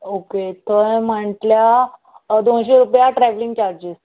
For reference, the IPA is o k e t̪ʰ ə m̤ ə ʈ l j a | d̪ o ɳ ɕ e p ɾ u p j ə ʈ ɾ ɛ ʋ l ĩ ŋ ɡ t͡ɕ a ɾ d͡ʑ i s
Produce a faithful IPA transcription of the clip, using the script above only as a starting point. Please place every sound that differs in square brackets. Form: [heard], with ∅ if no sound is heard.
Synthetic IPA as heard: o k e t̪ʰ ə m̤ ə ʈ l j a | d̪ o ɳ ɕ e [∅] ɾ u p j [a] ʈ ɾ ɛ ʋ l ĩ ŋ ɡ t͡ɕ a ɾ d͡ʑ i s